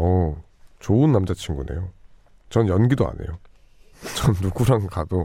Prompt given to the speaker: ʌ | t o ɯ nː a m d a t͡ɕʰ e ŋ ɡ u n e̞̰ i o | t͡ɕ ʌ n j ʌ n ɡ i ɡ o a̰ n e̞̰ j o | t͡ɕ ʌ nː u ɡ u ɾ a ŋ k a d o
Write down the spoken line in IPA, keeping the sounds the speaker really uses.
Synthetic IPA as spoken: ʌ | t͡ɕ o ɯ nː a m d͡ʑ a t͡ɕʰ i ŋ ɡ u n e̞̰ j o | t͡ɕ ʌ n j ʌ n ɡ i d o a̰ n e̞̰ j o | t͡ɕ ʌ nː u ɡ u ɾ a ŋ k a d o